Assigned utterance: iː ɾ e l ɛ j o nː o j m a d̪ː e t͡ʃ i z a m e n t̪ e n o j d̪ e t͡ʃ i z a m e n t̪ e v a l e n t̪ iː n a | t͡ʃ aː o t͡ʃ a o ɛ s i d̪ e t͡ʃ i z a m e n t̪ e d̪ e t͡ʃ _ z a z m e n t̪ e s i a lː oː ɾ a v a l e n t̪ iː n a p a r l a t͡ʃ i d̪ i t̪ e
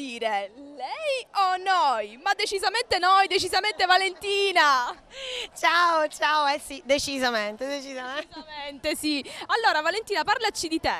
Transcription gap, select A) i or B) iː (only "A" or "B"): A